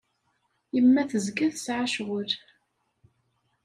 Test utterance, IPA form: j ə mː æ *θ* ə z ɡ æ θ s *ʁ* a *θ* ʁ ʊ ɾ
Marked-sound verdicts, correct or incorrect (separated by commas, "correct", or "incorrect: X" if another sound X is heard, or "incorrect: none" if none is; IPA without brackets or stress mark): correct, incorrect: ʕ, incorrect: ʃ